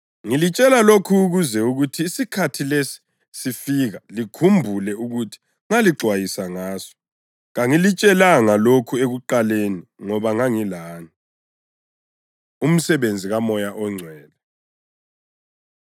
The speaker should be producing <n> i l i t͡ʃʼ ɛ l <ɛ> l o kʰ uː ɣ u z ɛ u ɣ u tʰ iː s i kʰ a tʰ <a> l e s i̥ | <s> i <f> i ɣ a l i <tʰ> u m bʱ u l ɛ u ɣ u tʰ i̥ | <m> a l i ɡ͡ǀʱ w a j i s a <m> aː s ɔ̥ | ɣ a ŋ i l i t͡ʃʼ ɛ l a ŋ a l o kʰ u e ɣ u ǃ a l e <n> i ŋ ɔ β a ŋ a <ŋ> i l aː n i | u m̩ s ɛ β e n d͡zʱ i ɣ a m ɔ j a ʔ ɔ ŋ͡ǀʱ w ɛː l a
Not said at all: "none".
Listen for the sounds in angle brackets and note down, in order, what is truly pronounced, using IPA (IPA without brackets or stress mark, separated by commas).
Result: ŋ, a, i, s, f, kʰ, ŋ, ŋ, n, ŋ